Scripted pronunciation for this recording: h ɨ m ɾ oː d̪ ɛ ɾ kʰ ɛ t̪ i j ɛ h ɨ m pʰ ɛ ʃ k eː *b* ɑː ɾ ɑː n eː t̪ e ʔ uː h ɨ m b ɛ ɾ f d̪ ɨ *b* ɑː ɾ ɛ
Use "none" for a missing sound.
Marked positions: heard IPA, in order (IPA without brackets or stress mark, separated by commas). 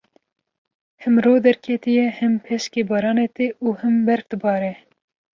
b, b